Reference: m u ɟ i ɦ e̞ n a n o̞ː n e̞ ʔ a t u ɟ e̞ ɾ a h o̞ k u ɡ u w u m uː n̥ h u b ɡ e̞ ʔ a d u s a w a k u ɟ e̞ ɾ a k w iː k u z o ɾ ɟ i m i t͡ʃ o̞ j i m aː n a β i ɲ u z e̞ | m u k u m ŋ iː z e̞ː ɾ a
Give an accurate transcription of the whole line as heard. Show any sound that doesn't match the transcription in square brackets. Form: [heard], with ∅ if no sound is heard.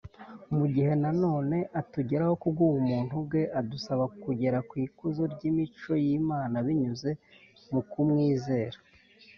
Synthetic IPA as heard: m u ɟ i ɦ e̞ n a n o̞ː n e̞ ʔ a t u ɟ e̞ ɾ a h o̞ k u ɡ u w u m uː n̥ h u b ɡ e̞ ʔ a d u s a [β] a k u ɟ e̞ ɾ a k w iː k u z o ɾ ɟ i m i t͡ʃ o̞ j i m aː n a β i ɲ u z e̞ | m u k u m ŋ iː z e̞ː ɾ a